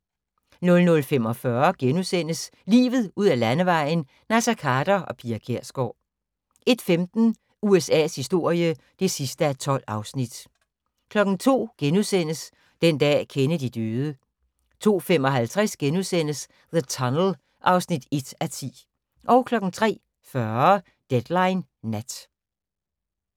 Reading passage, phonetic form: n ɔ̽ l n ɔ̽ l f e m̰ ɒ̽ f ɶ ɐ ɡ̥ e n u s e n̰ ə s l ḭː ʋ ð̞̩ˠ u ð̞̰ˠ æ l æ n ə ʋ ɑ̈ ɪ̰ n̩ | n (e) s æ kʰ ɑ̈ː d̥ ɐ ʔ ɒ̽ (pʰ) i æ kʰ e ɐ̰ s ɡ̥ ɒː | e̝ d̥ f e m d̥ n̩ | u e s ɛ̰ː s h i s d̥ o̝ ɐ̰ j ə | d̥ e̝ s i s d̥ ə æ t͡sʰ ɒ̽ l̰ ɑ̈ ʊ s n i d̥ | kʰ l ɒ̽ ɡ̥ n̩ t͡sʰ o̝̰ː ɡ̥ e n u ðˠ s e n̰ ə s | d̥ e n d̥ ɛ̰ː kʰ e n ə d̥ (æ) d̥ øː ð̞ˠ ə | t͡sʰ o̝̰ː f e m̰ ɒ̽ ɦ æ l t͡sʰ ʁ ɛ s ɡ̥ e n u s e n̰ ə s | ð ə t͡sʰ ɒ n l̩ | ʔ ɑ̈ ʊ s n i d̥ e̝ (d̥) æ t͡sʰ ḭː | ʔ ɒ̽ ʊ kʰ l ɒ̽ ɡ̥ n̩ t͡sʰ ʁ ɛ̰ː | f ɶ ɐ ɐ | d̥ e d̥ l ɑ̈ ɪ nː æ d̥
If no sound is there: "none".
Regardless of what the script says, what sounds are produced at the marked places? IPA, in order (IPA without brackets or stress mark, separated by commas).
æ, pʰ, i, d̥